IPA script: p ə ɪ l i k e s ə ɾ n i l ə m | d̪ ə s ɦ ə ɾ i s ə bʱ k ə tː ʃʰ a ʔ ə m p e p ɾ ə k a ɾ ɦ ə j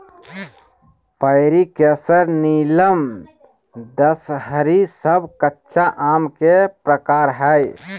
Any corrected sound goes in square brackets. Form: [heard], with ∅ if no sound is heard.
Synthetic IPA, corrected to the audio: p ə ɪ [ɾ] i k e s ə ɾ n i l ə m | d̪ ə s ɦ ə ɾ i s ə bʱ k ə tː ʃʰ a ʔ [a] m [k] e p ɾ ə k a ɾ ɦ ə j